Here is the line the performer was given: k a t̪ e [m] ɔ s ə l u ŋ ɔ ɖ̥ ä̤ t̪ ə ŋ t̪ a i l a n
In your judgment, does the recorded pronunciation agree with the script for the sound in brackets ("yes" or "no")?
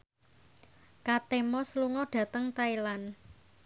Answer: yes